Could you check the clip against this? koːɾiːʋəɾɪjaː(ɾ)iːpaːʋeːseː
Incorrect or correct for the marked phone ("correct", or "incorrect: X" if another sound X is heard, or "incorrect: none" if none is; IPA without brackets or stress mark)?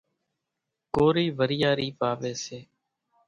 correct